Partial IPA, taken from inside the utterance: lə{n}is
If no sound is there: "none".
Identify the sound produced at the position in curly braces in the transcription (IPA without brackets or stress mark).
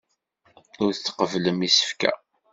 m